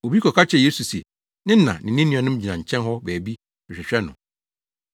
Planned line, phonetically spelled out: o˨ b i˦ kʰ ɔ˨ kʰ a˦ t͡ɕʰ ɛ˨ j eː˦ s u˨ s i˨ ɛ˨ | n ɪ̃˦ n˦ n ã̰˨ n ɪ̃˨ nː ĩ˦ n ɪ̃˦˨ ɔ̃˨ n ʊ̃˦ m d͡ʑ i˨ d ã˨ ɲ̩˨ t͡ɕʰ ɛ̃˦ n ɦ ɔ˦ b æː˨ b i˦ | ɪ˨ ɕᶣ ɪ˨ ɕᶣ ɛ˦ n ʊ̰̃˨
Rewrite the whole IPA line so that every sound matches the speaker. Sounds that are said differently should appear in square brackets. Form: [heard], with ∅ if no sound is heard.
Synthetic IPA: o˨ b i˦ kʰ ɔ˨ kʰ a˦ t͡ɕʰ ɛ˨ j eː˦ s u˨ s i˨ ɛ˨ | n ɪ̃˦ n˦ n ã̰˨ n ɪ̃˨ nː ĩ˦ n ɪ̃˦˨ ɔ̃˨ n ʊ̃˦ m d͡ʑ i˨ [n] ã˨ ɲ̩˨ t͡ɕʰ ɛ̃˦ n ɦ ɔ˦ b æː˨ b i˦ | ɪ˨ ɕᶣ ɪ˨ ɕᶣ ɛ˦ n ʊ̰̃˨